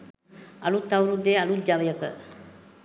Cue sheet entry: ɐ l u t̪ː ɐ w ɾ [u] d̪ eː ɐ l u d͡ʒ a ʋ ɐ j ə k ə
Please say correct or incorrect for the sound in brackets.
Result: correct